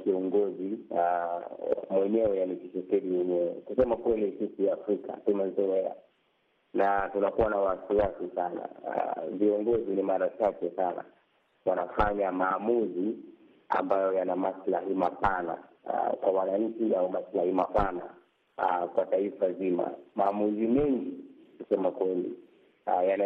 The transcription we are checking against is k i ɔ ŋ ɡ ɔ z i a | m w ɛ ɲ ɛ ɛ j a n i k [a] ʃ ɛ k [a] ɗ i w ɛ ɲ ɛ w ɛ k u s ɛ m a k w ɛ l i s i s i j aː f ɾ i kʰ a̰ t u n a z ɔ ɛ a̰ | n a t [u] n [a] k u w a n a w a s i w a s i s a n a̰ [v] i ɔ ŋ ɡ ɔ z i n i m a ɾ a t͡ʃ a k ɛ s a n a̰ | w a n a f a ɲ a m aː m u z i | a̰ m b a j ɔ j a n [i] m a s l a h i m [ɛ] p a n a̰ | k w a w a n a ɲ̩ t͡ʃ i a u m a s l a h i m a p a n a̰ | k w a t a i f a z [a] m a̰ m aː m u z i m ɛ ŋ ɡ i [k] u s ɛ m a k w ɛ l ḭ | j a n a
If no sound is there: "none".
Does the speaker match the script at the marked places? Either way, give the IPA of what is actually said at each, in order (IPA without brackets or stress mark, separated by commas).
i, ɛ, u, a, v, a, a, i, k